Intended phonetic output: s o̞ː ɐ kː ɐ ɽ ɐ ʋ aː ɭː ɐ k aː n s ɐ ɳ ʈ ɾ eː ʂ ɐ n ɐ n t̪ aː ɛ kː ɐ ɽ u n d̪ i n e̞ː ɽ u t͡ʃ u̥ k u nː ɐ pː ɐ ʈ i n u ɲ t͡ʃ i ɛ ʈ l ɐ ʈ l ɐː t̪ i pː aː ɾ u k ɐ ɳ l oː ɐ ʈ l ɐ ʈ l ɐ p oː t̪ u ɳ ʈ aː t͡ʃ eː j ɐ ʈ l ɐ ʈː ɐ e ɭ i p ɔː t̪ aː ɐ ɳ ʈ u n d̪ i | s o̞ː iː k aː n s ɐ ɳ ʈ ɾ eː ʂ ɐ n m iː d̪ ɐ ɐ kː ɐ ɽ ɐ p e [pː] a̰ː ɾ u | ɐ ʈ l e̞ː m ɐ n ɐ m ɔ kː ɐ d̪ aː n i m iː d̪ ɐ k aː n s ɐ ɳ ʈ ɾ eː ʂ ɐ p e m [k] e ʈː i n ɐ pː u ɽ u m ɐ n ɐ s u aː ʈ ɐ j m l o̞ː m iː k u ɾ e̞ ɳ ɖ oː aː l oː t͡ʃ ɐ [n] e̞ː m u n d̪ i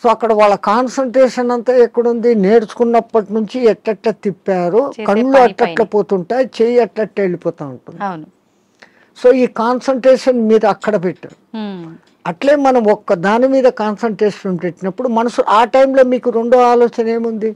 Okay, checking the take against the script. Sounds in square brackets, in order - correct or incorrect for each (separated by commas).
incorrect, incorrect, correct